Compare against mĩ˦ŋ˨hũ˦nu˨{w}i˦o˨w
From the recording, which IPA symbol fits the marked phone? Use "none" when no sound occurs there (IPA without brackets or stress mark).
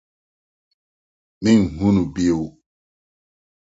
b